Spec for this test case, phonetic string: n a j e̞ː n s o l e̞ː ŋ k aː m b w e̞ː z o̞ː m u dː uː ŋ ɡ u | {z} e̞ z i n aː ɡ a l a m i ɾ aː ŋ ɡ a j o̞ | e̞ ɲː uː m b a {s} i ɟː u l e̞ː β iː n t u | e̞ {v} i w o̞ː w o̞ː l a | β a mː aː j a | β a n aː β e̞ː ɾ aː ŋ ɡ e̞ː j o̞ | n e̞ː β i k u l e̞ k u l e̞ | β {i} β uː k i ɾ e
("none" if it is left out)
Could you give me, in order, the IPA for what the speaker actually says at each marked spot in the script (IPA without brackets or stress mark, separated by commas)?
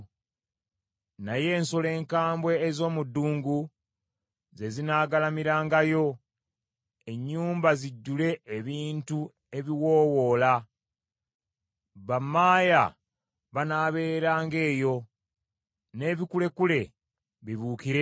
z, z, β, i